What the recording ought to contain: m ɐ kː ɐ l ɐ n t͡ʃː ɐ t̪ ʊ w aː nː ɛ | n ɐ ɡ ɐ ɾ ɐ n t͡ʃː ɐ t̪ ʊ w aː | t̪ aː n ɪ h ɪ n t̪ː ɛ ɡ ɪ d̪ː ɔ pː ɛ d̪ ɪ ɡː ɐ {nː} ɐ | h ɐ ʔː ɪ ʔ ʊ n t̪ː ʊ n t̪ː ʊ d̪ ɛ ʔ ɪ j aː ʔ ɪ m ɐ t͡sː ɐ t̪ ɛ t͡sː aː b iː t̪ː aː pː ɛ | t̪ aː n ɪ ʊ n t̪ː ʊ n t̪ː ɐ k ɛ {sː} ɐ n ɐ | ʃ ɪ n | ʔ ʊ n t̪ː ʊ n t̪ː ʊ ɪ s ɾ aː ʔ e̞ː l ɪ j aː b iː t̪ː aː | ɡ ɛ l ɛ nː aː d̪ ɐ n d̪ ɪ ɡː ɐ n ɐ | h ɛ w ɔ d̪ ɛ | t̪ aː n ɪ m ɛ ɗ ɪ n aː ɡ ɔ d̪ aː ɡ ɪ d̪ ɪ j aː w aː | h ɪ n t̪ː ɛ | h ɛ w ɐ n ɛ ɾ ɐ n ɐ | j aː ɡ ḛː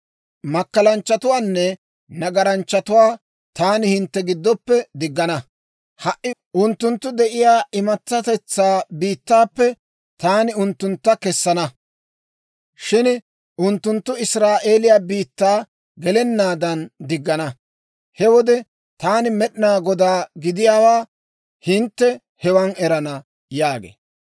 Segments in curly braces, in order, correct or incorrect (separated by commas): incorrect, correct